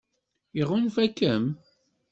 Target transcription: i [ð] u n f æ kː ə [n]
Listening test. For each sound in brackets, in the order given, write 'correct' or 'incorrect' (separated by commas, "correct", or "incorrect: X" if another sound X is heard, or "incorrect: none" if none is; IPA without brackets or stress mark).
incorrect: ʁ, incorrect: m